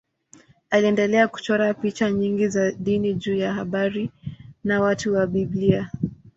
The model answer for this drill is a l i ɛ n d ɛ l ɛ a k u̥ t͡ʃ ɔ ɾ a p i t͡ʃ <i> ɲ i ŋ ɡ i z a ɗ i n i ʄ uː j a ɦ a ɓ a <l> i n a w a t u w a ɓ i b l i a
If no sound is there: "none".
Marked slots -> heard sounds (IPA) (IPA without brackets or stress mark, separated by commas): a, ɾ